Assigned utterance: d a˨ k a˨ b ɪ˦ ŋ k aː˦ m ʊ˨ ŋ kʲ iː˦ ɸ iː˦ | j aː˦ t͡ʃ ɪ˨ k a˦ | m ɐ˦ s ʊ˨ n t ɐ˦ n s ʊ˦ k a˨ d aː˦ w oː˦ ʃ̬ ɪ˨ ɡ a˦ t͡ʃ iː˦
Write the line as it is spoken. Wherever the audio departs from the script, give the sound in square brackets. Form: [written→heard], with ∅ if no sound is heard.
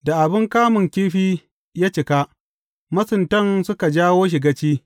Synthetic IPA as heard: d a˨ [k→ʔ] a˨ b ɪ˦ ŋ k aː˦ m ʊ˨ ŋ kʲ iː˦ ɸ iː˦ | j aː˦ t͡ʃ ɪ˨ k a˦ | m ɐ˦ s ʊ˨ n t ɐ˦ n s ʊ˦ k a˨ [d→d͡ʒ] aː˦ w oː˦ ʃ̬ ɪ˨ ɡ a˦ t͡ʃ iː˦